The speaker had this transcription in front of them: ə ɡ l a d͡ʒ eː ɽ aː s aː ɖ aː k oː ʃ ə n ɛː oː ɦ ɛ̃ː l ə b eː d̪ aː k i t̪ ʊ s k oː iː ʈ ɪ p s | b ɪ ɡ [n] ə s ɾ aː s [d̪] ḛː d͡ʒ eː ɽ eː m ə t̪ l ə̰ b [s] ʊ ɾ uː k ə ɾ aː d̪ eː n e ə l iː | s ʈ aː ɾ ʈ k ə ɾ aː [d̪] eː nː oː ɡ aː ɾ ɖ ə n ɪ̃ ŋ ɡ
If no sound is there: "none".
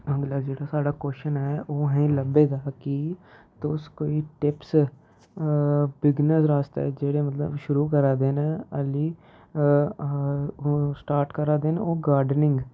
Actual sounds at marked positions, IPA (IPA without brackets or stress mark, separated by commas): n, t̪, ʃ, d̪